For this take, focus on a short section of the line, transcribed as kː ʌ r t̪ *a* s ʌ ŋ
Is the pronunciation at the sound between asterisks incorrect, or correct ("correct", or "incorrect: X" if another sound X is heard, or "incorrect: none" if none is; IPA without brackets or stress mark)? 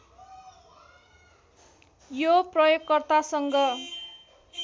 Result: correct